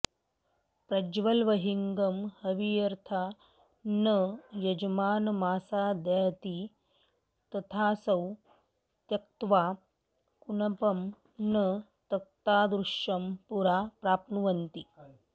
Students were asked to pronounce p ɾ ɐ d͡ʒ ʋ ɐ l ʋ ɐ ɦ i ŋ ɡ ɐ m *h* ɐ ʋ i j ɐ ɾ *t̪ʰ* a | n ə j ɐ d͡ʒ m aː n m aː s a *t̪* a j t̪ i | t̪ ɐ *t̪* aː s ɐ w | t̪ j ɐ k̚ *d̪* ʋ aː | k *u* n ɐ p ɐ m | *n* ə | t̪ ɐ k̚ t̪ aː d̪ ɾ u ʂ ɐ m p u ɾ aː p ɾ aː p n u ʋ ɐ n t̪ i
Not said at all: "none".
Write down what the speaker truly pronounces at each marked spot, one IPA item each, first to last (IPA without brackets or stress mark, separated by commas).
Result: h, t̪ʰ, d̪, t̪ʰ, t̪, u, n